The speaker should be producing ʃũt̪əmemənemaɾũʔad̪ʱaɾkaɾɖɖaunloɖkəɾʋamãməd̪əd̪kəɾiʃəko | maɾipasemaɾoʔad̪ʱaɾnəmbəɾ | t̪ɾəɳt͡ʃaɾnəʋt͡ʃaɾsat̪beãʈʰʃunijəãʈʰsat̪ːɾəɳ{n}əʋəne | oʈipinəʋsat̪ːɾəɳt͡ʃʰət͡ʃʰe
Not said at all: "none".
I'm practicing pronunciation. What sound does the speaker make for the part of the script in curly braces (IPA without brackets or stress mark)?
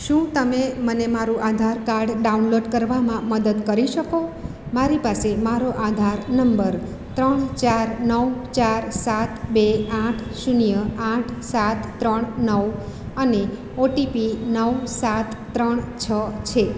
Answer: n